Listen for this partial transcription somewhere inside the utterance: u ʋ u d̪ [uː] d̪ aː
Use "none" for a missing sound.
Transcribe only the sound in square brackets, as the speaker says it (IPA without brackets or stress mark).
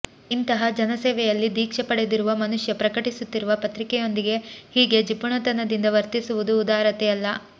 uː